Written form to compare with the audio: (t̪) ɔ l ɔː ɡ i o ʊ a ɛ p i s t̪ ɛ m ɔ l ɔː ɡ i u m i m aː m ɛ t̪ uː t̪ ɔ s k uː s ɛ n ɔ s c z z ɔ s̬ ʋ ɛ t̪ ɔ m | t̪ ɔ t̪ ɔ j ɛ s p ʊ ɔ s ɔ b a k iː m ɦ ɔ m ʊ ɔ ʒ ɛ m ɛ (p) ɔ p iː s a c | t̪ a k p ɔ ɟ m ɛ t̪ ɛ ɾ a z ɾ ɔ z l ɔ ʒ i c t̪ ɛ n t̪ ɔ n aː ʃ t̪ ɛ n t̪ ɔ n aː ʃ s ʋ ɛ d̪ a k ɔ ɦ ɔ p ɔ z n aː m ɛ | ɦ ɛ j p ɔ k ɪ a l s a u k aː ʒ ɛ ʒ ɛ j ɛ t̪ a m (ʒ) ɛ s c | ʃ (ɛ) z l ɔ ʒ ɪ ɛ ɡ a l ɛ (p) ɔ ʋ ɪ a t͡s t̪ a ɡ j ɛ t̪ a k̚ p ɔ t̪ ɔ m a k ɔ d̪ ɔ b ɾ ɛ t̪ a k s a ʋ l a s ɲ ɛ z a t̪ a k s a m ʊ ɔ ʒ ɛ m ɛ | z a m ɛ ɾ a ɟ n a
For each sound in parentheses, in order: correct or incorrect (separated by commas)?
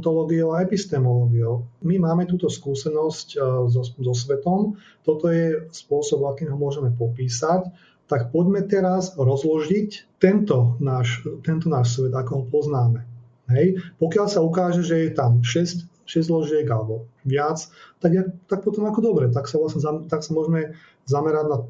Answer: correct, correct, incorrect, correct, incorrect